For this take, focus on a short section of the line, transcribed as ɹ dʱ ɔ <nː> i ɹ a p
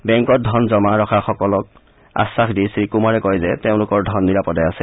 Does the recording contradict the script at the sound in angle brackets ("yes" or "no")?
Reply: no